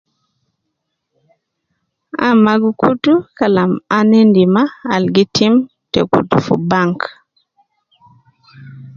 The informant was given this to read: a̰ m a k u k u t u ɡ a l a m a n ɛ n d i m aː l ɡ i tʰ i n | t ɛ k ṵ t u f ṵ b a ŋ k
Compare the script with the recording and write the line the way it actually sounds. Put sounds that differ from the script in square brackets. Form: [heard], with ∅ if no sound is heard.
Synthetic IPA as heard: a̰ m a [ɡ] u k u t u [k] a l a m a n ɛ n d i m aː l ɡ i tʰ i [m] | t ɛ k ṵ t u f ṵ b a ŋ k